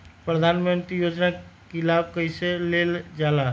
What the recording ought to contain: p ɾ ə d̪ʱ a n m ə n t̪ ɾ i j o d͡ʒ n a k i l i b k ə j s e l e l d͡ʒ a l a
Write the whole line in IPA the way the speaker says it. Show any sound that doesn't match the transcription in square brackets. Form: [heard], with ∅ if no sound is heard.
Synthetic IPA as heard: p ɾ ə d̪ʱ a n m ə n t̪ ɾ i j o d͡ʒ n a k i l [a] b k ə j s e l e l d͡ʒ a l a